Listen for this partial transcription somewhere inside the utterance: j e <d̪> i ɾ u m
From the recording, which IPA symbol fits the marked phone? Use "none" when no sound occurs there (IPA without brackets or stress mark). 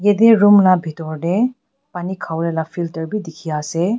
d̪